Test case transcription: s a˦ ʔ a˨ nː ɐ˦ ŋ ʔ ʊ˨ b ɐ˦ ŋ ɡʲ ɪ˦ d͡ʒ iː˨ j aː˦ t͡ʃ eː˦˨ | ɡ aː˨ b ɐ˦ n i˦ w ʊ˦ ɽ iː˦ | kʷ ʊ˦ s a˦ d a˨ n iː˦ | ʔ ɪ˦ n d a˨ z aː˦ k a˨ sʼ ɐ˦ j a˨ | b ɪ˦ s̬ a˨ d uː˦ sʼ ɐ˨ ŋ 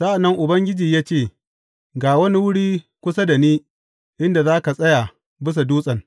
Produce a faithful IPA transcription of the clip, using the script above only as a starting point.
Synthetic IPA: s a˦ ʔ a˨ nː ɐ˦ ŋ ʔ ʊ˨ b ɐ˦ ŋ ɡʲ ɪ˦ d͡ʒ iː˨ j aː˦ t͡ʃ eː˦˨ | ɡ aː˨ w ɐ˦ n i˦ w ʊ˦ ɽ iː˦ | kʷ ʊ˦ s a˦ d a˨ n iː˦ | ʔ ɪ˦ n d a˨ z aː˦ k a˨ sʼ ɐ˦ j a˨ | b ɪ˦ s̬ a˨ d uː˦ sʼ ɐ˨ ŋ